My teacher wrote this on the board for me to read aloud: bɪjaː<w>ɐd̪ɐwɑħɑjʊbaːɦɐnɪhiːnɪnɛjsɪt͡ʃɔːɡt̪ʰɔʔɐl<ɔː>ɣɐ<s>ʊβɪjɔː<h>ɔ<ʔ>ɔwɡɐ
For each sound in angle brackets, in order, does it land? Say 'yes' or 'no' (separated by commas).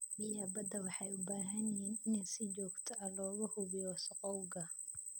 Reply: no, yes, no, no, no